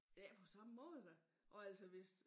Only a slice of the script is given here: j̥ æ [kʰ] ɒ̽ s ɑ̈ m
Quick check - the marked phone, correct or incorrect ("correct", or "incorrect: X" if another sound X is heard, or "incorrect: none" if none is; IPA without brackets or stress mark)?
incorrect: pʰ